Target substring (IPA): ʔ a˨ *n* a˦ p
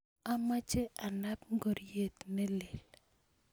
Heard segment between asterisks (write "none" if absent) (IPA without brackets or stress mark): n